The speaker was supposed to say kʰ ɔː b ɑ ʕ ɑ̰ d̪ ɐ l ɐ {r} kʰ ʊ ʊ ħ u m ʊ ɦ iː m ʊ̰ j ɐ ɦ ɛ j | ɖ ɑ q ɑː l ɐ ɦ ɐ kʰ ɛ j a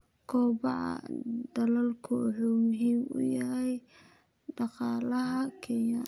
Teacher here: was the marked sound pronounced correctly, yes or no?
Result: no